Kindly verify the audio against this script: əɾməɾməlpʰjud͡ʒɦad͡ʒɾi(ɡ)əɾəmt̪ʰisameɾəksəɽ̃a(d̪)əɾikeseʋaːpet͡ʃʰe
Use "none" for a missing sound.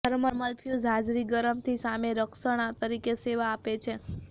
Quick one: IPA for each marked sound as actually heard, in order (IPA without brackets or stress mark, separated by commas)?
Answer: ɡ, t̪